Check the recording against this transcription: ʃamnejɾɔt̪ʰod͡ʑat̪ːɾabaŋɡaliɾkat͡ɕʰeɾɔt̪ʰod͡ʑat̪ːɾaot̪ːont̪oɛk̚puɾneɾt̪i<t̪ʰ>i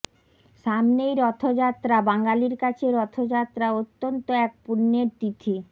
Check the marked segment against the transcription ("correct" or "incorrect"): correct